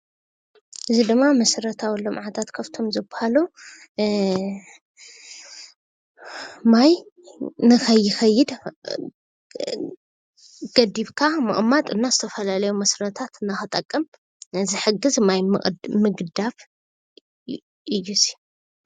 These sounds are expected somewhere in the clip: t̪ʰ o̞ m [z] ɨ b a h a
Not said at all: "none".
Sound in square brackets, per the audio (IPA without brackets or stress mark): z